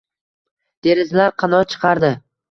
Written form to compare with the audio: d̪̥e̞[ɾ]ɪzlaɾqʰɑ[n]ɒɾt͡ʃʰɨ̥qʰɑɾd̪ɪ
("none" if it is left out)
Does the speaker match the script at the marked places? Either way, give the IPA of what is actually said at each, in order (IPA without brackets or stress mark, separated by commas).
ɾ, n